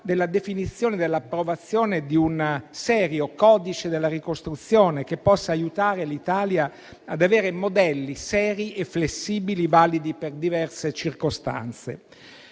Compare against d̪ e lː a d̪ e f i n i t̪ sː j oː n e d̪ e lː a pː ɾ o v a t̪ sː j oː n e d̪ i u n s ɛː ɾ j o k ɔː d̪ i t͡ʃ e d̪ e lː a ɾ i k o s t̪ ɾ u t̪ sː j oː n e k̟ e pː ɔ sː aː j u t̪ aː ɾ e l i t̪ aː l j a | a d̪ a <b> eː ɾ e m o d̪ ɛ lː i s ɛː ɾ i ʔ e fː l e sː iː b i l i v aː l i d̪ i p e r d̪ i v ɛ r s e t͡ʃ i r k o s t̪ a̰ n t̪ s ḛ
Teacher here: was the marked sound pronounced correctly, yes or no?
no